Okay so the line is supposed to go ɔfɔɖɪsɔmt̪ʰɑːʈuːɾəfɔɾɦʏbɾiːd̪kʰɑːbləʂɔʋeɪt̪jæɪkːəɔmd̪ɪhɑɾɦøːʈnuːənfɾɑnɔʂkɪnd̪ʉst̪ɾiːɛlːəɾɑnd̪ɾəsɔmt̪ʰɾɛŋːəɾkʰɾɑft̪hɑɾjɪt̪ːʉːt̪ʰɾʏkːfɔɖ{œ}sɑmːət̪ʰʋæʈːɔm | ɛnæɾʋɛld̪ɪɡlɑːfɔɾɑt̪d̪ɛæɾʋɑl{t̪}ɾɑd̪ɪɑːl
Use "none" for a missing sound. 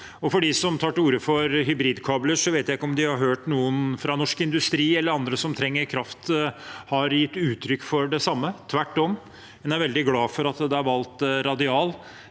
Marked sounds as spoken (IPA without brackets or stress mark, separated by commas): ɛ, t̪